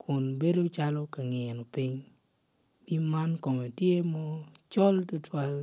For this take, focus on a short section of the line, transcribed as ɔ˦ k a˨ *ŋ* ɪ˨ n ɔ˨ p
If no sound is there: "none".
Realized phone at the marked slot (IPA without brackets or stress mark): ŋ